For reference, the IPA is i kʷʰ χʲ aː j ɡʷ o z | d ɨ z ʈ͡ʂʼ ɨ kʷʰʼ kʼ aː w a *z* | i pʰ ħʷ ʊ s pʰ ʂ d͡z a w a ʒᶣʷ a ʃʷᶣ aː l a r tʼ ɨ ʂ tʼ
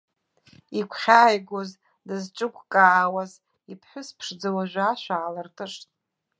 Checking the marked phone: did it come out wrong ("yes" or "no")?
no